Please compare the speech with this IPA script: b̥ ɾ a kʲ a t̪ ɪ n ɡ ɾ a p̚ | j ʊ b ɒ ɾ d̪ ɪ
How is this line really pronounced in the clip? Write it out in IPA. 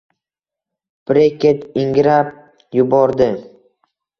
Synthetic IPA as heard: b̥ ɾ e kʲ e t̪ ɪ ŋ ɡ ɾ a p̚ | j ʊ b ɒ ɾ d̪ ɪ